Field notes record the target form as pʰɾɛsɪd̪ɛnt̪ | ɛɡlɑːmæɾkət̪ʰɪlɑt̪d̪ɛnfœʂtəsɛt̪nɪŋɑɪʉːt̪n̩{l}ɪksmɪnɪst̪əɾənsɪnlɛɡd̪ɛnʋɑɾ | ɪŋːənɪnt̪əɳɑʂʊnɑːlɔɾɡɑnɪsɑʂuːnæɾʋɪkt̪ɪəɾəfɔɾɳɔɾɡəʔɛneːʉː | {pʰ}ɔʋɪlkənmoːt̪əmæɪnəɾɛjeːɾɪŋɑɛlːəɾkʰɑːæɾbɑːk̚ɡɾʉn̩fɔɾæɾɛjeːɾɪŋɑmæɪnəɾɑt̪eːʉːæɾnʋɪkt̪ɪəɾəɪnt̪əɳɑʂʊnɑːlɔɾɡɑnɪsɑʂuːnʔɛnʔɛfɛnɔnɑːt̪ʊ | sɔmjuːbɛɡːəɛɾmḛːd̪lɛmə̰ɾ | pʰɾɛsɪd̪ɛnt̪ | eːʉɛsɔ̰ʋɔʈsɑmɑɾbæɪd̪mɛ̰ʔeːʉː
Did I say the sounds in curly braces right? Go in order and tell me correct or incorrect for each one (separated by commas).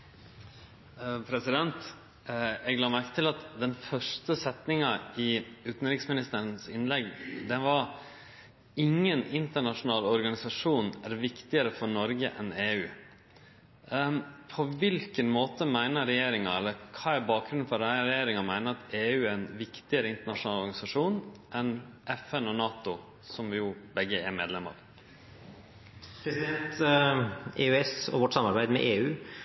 incorrect, correct